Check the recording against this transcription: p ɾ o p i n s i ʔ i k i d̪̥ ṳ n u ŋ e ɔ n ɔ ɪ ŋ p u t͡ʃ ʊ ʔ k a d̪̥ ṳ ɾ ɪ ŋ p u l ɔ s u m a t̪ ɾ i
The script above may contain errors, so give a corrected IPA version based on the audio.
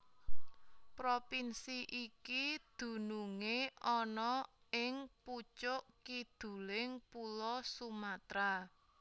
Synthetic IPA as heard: p ɾ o p i n s i ʔ i k i d̪̥ ṳ n u ŋ e ɔ n ɔ ɪ ŋ p u t͡ʃ ʊ ʔ k i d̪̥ ṳ l ɪ ŋ p u l ɔ s u m a t̪ ɾ a